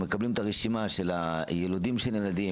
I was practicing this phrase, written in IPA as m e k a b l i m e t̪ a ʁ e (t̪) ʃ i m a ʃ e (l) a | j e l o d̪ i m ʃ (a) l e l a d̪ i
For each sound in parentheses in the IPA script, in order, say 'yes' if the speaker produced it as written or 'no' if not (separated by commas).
no, yes, no